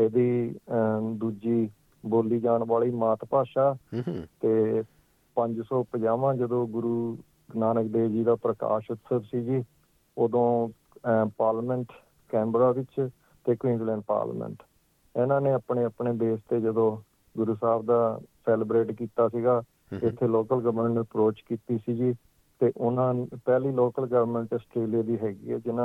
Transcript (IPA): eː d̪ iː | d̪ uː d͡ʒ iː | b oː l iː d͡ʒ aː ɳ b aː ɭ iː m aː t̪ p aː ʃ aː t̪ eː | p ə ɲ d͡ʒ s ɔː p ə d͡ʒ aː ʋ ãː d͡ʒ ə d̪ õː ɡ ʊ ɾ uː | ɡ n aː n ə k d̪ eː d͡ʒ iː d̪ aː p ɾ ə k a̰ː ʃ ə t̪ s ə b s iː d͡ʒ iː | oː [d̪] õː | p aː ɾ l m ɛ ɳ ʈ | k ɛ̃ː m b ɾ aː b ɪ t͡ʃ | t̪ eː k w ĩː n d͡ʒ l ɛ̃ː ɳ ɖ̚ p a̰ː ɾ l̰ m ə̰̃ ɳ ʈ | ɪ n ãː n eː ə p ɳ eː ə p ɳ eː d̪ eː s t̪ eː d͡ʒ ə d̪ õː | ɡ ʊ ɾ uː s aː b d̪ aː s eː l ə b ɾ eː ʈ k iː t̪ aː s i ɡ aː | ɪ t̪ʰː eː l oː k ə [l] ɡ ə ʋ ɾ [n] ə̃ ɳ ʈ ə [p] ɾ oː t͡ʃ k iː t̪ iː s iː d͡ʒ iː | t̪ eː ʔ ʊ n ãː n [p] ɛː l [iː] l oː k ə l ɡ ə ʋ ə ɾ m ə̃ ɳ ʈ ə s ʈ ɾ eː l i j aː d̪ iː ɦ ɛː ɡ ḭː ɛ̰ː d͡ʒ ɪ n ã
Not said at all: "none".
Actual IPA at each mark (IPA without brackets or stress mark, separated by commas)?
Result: d̪, l, m, p, p, iː